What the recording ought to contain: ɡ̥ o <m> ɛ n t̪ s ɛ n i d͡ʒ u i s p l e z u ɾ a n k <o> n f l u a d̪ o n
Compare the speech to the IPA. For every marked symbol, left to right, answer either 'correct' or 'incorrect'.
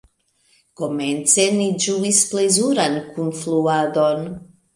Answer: correct, incorrect

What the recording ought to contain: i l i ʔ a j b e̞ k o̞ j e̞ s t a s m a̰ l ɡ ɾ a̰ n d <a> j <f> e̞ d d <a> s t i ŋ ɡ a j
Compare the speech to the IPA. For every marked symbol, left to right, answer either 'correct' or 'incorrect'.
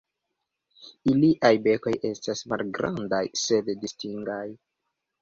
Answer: correct, incorrect, incorrect

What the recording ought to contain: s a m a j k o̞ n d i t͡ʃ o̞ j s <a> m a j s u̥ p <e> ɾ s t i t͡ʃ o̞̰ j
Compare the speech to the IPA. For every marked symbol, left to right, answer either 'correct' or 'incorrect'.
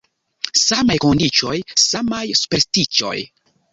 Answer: correct, correct

